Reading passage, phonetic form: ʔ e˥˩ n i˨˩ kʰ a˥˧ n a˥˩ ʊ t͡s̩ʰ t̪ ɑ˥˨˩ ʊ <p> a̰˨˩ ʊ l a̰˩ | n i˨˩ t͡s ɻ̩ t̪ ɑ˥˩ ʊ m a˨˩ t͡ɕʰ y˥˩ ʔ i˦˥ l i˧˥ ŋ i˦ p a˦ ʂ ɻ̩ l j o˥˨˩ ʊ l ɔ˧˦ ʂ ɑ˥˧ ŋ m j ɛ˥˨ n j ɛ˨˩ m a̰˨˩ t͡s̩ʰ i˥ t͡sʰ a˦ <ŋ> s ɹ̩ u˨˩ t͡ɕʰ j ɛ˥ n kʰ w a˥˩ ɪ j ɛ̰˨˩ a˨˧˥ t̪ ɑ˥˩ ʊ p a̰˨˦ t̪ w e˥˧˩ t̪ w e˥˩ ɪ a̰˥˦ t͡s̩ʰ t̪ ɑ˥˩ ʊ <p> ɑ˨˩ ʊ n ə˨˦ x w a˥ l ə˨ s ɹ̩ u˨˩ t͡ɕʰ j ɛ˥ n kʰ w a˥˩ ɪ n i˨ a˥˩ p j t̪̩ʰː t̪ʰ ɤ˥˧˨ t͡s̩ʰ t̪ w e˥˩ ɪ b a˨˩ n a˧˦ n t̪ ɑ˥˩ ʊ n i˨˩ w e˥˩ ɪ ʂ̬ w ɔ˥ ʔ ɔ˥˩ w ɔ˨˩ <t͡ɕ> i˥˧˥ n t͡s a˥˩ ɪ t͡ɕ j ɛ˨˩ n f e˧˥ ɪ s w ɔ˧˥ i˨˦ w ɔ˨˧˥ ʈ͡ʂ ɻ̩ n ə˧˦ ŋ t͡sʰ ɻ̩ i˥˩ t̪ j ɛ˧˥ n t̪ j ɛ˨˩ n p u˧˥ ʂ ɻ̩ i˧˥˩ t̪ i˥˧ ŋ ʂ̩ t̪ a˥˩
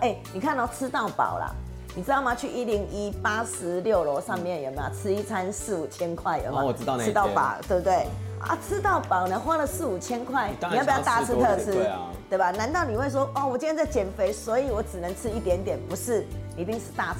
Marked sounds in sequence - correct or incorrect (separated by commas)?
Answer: correct, incorrect, correct, correct